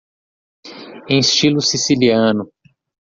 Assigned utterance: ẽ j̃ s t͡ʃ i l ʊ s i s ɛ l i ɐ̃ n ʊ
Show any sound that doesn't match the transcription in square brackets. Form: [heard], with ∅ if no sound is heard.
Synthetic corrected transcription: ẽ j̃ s t͡ʃ i l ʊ s i s [i] l i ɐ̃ n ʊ